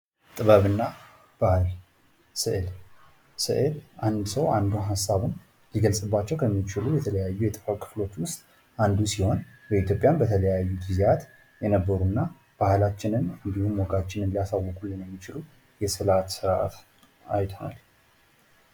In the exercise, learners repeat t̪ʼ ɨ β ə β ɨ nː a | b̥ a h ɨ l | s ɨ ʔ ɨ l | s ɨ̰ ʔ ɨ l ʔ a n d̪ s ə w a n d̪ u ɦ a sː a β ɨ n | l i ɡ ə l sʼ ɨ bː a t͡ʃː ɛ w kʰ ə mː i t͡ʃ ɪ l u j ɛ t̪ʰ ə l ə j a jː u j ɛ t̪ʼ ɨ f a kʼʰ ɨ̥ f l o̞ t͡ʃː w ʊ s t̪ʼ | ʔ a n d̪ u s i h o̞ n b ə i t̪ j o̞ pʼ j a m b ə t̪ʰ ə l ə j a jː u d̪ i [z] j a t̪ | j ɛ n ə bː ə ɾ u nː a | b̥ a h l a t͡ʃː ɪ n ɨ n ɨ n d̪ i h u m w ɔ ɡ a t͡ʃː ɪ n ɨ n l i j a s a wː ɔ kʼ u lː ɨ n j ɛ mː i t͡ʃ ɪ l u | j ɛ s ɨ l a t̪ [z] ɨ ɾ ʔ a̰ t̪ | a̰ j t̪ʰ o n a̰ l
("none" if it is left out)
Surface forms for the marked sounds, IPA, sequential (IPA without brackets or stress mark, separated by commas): z, s